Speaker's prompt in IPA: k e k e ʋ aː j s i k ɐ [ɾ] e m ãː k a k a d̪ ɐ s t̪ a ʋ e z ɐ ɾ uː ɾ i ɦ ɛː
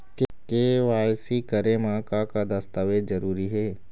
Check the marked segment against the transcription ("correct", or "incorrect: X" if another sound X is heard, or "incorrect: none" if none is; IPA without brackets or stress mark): correct